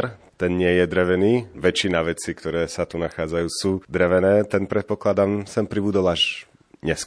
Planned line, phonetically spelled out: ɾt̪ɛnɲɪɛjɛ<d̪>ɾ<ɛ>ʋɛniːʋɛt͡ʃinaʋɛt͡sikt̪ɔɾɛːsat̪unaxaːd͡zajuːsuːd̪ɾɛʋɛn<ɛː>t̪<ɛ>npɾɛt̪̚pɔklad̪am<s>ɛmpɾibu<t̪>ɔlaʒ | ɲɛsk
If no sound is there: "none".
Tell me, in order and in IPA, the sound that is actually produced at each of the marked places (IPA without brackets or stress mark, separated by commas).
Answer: d̪, ɛ, ɛː, ɛ, s, d̪